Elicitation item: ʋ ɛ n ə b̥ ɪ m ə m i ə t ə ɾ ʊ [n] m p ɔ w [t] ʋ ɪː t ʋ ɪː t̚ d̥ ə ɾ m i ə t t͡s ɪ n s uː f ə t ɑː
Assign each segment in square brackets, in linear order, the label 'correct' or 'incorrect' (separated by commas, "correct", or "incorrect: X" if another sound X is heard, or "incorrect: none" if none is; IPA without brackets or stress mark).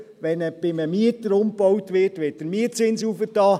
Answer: incorrect: none, correct